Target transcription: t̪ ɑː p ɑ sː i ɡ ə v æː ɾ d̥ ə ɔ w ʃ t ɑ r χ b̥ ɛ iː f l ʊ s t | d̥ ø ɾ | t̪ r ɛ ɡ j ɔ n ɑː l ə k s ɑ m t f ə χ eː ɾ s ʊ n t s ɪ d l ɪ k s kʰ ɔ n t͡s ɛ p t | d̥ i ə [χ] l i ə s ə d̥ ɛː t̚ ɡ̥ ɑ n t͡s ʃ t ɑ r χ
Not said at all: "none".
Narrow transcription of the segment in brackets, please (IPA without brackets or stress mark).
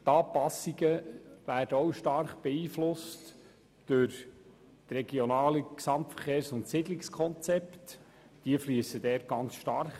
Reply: f